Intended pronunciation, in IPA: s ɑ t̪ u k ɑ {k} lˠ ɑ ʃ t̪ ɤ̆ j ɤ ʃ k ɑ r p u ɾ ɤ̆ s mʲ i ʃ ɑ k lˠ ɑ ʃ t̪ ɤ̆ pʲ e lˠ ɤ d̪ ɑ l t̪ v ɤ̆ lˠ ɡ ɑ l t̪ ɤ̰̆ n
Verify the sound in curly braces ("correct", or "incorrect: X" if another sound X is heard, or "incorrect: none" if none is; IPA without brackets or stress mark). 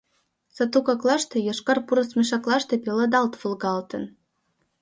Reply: correct